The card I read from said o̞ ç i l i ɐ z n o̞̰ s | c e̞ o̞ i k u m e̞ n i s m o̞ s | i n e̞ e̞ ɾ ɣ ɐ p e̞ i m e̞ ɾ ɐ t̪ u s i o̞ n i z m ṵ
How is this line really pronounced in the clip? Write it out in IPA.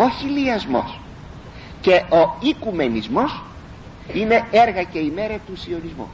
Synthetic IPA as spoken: o̞ ç i l i ɐ z m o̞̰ s | c e̞ o̞ i k u m e̞ n i z m o̞ s | i n e̞ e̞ ɾ ɣ ɐ c e̞ i m e̞ ɾ ɐ t̪ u s i o̞ n i z m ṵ